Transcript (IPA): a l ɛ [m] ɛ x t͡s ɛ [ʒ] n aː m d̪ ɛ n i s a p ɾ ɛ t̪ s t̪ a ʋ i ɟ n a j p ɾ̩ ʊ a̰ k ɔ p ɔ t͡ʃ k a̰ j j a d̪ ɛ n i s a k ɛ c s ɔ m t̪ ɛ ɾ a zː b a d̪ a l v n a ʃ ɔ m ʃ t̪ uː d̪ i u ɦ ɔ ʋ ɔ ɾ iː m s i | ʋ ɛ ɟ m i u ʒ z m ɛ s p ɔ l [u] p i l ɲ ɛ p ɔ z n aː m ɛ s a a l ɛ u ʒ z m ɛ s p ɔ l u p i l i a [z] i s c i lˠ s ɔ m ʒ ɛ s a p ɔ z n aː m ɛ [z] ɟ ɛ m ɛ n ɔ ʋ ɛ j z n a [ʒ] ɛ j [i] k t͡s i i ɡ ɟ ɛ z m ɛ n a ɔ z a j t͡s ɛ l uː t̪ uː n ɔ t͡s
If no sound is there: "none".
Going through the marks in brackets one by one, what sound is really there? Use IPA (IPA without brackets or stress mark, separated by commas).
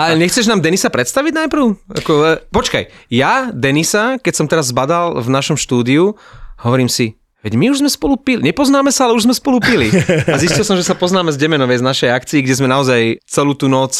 ɲ, ʒ, u, z, z, ʃ, a